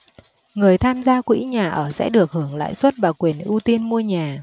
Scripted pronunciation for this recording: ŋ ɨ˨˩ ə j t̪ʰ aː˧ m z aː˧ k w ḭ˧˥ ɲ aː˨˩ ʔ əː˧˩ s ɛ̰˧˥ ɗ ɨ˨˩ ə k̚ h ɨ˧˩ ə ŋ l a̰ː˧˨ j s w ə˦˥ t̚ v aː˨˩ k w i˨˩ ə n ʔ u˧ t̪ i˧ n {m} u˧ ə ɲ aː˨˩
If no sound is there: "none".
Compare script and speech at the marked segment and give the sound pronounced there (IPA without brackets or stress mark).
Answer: m